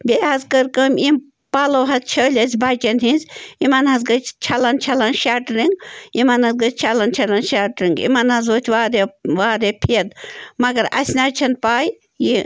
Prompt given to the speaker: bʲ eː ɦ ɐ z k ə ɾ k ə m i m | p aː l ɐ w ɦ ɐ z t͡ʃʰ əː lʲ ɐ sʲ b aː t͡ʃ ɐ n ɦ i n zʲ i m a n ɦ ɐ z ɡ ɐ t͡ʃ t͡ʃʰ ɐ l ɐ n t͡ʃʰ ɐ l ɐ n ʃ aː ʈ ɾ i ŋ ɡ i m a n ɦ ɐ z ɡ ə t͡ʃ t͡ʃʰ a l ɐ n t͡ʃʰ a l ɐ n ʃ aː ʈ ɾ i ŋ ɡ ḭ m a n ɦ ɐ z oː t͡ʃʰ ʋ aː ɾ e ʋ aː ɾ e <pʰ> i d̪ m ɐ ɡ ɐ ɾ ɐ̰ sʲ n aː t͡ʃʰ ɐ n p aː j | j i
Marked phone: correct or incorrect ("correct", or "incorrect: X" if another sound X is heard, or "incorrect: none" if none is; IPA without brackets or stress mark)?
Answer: correct